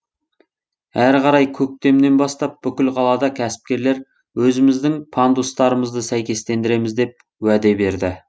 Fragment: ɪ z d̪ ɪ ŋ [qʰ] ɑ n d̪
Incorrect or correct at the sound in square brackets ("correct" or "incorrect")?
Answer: incorrect